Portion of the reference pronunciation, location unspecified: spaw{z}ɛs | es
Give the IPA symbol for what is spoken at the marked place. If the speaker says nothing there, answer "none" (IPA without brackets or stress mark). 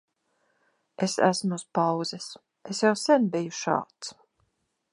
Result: z